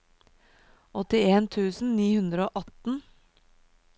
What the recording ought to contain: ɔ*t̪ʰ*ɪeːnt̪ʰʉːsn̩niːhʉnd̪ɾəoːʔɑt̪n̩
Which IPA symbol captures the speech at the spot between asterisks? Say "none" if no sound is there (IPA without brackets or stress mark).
t̪